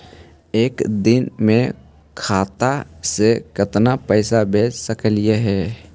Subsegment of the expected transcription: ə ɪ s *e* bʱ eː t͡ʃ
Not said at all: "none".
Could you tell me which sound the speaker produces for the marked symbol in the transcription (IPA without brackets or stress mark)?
a